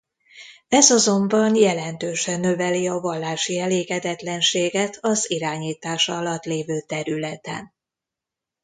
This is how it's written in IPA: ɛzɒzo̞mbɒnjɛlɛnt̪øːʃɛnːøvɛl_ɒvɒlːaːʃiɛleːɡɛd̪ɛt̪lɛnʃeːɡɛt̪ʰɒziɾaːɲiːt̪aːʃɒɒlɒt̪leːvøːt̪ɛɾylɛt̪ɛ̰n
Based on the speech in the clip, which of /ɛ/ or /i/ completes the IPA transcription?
i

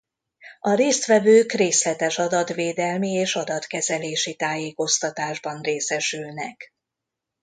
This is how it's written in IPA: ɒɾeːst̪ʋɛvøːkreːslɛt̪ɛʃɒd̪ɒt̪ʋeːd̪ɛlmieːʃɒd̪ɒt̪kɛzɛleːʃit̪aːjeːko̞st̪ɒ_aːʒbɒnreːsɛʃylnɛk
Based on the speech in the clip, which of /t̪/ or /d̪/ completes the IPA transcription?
t̪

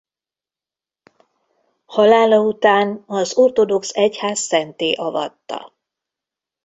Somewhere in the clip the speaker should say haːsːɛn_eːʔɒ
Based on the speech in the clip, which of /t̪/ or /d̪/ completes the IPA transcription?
t̪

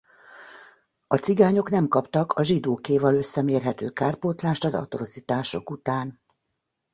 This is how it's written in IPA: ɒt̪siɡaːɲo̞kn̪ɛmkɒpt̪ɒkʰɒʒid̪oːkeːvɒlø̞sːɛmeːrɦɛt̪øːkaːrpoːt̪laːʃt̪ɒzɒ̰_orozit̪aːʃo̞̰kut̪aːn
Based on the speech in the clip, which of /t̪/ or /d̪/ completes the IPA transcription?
t̪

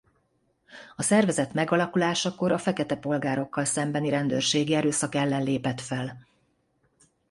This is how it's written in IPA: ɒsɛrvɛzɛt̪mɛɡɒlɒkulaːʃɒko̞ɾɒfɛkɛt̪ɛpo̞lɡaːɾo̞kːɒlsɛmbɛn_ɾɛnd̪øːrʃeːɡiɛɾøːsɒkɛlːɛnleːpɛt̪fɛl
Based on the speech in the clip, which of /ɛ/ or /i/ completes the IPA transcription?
i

